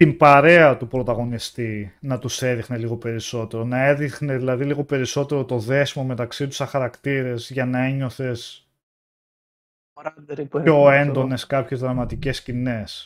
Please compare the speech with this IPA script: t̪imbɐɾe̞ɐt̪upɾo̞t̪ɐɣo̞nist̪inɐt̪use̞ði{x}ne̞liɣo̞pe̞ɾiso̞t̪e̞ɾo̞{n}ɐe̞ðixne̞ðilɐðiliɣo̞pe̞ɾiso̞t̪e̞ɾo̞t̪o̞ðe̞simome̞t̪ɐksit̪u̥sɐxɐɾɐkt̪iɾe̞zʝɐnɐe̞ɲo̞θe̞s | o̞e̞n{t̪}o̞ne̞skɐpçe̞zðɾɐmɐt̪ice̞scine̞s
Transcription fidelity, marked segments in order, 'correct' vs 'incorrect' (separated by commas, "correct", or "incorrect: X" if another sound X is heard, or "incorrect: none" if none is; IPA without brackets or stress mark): correct, correct, incorrect: d̪